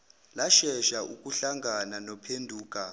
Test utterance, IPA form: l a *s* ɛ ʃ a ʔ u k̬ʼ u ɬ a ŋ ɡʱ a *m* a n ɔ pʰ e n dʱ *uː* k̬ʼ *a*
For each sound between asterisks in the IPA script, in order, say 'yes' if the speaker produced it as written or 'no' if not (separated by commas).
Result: no, no, yes, yes